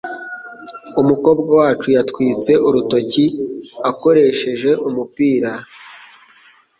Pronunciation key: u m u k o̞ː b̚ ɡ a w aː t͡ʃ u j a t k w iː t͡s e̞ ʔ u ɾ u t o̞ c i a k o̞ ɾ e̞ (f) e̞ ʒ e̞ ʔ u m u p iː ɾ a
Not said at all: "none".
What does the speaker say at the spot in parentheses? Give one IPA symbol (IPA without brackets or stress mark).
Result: ʃ